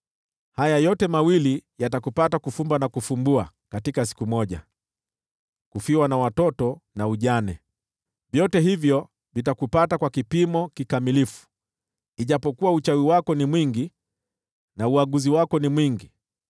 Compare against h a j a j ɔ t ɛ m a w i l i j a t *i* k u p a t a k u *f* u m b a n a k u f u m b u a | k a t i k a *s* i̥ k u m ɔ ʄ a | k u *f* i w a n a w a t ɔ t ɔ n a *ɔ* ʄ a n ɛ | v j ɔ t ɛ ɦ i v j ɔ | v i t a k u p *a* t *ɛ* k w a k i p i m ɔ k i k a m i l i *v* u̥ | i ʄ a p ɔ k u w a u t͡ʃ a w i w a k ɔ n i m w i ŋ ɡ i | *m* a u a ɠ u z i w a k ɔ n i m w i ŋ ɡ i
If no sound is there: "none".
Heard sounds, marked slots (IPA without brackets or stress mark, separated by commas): a, f, s, f, u, a, a, f, n